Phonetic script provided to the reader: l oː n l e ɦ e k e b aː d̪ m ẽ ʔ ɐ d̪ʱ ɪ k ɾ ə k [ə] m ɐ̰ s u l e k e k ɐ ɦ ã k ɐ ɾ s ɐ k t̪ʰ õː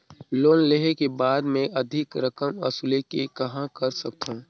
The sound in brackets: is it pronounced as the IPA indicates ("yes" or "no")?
yes